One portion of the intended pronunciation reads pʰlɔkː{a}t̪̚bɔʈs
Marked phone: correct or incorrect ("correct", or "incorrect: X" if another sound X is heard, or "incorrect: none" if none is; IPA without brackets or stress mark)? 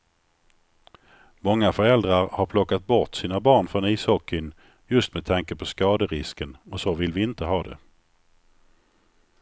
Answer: correct